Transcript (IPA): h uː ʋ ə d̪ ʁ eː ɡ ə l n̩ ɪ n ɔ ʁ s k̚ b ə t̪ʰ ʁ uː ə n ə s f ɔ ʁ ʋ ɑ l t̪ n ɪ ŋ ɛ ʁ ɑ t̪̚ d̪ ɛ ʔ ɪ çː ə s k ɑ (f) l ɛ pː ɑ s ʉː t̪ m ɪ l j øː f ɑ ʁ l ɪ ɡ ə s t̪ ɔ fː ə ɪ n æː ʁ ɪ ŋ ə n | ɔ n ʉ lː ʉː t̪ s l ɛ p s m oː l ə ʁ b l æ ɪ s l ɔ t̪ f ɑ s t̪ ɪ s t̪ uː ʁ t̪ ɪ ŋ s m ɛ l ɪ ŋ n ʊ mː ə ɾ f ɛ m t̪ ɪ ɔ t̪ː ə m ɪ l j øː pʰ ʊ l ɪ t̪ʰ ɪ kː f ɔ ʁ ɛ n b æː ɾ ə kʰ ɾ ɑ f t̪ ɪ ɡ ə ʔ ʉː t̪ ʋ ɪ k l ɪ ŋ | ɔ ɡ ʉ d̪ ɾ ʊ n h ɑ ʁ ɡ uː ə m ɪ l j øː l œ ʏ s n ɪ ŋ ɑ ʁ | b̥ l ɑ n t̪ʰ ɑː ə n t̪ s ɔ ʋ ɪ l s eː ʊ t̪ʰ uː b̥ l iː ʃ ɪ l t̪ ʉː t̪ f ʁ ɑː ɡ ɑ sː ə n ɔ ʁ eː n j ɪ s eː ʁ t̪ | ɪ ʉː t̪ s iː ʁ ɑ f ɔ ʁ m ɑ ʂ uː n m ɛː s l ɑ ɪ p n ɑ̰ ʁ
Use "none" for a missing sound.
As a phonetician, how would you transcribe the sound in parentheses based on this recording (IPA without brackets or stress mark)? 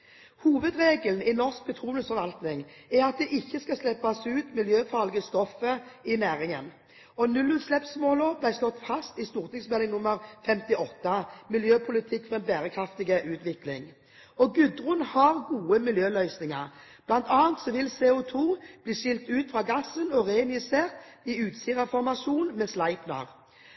s